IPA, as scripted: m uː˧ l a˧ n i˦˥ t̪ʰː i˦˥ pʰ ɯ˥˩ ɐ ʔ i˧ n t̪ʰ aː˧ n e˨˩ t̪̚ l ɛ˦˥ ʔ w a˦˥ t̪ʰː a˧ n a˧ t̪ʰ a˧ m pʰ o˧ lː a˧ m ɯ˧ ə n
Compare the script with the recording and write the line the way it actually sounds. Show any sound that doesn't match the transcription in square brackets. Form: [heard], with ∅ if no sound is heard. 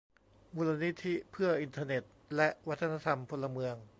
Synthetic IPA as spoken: m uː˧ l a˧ n i˦˥ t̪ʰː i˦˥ pʰ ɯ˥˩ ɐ ʔ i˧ n t̪ʰ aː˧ n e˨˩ t̪̚ l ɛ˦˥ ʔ w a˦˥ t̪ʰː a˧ n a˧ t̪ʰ a˧ m pʰ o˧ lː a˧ m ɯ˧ ə [ŋ]